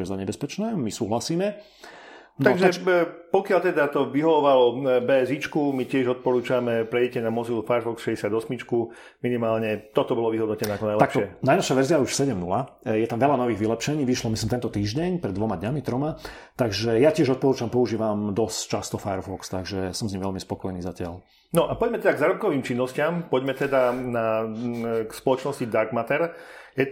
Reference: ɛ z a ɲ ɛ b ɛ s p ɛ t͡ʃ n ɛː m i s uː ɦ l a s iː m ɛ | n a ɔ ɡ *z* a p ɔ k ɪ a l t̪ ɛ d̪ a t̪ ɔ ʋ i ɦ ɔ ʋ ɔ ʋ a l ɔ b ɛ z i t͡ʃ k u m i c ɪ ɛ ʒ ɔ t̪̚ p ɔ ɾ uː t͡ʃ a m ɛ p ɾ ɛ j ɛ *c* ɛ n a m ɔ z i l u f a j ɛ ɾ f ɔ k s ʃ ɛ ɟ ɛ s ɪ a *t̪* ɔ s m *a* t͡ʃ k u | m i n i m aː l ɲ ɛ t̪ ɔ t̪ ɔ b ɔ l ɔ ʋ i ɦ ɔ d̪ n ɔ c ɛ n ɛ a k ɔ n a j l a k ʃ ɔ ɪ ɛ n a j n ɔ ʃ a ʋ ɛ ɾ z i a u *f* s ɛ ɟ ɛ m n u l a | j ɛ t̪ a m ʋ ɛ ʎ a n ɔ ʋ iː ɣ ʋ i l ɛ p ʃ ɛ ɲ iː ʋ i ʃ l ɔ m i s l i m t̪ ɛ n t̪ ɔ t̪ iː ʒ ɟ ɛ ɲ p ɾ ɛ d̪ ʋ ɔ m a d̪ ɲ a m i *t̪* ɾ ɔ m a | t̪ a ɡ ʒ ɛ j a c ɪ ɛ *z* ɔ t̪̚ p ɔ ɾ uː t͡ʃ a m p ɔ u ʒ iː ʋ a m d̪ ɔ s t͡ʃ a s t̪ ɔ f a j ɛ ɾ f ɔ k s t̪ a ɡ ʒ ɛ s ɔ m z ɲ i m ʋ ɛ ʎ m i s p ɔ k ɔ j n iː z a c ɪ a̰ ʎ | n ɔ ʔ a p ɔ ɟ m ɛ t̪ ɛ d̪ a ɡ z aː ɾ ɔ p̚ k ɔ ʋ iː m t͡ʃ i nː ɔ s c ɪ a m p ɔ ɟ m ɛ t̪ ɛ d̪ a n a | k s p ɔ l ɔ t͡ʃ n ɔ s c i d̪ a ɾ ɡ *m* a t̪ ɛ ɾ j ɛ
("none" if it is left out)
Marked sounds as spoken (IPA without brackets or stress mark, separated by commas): ʒ, c, d̪, i, ʃ, t̪, ʒ, m